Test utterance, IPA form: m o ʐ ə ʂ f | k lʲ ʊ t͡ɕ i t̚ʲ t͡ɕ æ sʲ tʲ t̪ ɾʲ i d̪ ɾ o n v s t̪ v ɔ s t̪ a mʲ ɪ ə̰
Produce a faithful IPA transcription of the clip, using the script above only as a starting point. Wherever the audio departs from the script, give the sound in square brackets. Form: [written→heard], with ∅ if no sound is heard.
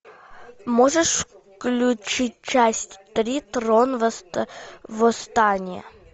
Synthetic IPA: m o ʐ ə ʂ f | k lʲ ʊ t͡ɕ i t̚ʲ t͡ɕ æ sʲ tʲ t̪ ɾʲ i [d̪→t̪] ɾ o n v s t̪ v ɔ s t̪ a [mʲ→nʲ] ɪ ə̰